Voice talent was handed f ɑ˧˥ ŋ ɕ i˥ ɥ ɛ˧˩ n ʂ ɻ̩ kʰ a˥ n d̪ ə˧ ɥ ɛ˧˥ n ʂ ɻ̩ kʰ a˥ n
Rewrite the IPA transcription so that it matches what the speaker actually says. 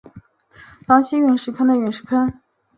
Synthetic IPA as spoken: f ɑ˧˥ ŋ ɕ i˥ ɥ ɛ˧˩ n ʂ ɻ̩ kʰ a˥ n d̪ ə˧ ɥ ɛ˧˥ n ʂ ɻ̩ kʰ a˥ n